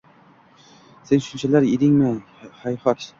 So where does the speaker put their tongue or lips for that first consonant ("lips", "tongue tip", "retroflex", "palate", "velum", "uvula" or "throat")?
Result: tongue tip